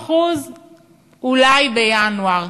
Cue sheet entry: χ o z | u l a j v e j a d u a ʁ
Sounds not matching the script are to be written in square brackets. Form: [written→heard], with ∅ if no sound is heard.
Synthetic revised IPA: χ [o→u] z | u l a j [v→b] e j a [d→n] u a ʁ